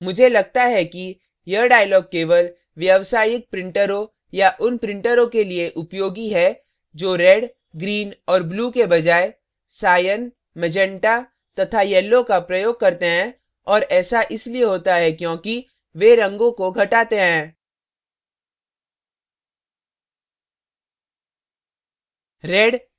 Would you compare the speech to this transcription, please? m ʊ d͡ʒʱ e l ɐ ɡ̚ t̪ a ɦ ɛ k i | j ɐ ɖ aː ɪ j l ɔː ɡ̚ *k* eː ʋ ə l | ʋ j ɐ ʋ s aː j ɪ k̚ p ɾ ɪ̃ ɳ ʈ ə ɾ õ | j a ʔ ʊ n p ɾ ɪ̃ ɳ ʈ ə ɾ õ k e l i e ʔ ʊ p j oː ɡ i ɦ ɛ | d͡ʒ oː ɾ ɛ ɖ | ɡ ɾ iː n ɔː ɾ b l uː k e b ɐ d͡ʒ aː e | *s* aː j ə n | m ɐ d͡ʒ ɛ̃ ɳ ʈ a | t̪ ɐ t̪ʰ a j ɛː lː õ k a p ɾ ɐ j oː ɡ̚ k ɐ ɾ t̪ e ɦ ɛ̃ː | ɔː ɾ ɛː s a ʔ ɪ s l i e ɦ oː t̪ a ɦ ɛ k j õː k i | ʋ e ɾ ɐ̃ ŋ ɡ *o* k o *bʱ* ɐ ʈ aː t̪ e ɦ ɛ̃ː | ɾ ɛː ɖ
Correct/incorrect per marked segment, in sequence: correct, correct, incorrect: õ, incorrect: ɡʱ

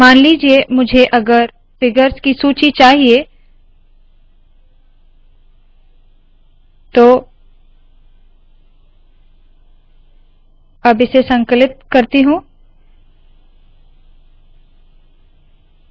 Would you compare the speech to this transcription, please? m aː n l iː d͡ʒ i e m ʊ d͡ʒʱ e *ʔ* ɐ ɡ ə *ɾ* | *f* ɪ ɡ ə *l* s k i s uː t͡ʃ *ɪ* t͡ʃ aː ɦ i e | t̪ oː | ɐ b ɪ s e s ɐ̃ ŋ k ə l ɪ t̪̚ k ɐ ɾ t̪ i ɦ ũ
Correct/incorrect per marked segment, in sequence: correct, correct, correct, incorrect: ɾ, incorrect: i

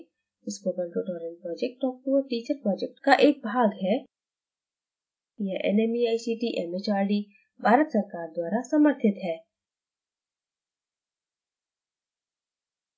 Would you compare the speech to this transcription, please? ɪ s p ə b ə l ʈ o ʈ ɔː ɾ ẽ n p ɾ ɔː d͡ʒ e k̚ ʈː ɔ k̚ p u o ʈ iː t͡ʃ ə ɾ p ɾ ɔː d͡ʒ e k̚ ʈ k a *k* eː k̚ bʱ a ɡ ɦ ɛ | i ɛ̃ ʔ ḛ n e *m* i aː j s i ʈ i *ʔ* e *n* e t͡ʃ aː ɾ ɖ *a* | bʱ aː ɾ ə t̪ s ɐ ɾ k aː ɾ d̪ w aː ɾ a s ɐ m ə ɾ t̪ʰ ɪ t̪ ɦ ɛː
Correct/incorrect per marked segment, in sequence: incorrect: ʔ, correct, correct, incorrect: m, incorrect: i

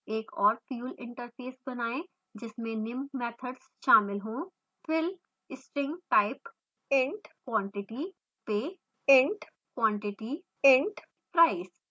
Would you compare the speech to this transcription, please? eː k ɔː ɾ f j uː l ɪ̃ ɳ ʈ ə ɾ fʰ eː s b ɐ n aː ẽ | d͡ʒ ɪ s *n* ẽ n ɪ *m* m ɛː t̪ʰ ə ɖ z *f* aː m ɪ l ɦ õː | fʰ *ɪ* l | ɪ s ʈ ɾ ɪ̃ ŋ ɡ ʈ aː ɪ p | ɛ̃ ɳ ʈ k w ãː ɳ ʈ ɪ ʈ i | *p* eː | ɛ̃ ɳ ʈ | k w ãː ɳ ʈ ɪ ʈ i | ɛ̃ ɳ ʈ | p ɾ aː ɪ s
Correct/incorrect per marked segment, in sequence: incorrect: m, correct, incorrect: ʃ, correct, correct

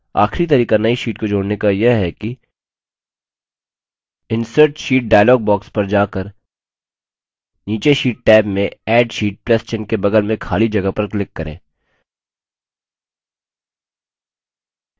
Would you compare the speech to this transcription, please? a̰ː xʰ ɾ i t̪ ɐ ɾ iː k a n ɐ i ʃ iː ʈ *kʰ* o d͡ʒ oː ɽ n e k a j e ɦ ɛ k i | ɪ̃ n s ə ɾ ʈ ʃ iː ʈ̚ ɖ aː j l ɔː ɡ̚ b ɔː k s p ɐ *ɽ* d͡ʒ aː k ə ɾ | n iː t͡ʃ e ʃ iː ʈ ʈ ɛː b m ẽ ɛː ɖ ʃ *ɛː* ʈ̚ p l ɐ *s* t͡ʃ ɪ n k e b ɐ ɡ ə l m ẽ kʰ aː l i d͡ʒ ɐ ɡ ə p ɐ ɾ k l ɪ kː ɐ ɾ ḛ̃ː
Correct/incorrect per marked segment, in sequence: incorrect: k, incorrect: ɾ, incorrect: iː, correct

